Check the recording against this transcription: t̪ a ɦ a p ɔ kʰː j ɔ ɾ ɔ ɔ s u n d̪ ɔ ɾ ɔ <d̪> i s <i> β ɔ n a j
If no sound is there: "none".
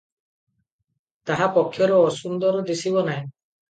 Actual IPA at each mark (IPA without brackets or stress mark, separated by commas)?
d̪, i